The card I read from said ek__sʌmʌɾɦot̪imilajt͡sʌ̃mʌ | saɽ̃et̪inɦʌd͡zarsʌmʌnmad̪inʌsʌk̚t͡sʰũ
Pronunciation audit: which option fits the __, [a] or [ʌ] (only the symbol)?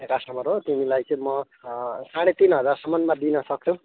a